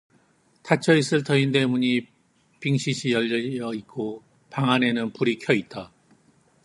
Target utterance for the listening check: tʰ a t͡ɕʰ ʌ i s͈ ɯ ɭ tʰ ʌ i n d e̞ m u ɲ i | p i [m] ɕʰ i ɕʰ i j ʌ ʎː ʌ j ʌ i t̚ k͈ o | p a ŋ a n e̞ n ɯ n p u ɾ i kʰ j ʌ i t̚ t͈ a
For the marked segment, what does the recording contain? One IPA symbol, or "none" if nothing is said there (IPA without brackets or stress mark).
ŋ